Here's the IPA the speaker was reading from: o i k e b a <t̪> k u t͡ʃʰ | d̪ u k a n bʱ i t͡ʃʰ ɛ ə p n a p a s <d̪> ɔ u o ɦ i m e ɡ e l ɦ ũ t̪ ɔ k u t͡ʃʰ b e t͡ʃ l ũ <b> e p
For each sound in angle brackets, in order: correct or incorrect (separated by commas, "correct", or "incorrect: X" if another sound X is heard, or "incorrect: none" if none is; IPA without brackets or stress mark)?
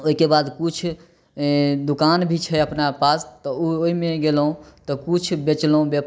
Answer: incorrect: d̪, incorrect: t̪, correct